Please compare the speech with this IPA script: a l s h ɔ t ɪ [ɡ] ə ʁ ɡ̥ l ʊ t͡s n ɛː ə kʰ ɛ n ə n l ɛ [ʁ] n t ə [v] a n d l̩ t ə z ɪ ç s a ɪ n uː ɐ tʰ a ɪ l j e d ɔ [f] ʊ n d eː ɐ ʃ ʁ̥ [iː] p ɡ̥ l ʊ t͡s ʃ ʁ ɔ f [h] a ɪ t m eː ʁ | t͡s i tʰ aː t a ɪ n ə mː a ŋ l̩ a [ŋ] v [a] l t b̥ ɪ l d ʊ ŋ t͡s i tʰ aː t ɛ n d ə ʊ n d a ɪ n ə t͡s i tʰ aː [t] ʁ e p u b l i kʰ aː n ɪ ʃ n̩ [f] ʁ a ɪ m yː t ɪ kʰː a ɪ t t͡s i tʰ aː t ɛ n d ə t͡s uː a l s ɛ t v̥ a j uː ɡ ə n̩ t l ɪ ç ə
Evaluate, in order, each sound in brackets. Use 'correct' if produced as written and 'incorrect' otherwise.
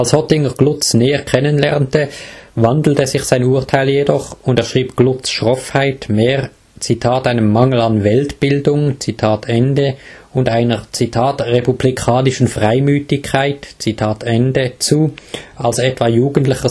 incorrect: ŋ, correct, correct, incorrect: χ, correct, correct, incorrect: n, incorrect: ɛ, correct, correct

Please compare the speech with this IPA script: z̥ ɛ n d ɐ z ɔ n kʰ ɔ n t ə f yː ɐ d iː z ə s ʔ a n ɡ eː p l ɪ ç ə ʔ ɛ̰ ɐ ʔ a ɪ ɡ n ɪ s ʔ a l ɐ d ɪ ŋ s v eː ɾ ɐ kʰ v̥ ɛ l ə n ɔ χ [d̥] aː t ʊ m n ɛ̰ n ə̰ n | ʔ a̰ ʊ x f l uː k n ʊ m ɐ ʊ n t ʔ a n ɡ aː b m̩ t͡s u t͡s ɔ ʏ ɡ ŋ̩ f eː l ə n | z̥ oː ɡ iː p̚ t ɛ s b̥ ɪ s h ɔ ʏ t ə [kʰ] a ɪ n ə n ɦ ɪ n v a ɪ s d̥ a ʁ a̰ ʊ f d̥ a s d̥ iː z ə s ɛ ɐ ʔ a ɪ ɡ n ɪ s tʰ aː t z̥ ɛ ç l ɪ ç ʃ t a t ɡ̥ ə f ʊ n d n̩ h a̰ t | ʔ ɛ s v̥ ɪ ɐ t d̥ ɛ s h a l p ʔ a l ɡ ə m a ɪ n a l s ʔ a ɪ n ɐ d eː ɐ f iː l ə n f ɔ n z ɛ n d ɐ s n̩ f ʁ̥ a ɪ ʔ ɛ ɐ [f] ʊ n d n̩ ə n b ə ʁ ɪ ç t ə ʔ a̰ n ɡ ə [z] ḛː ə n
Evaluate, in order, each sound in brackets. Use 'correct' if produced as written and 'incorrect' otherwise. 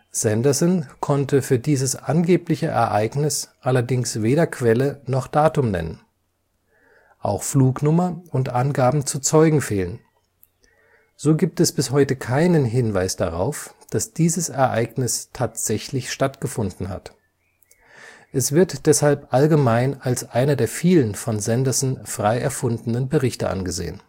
correct, correct, correct, correct

